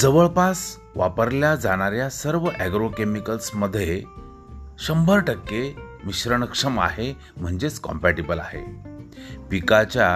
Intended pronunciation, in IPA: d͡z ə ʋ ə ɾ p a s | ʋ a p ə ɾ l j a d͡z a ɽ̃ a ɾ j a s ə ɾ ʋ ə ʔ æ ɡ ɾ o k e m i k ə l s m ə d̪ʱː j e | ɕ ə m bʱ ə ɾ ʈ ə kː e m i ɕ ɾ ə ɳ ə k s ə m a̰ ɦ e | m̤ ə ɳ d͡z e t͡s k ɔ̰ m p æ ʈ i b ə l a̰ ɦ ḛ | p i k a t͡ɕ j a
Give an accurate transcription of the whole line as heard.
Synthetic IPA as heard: d͡z ə ʋ ə ɭ p a s | ʋ a p ə ɾ l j a d͡z a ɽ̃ a ɾ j a s ə ɾ ʋ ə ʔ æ ɡ ɾ o k e m i k ə l s m ə d̪ʱː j e | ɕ ə m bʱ ə ɾ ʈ ə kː e m i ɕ ɾ ə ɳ ə k ʂ ə m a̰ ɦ e | m̤ ə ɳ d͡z e t͡s k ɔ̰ m p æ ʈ i b ə l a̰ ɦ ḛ | p i k a t͡ɕ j a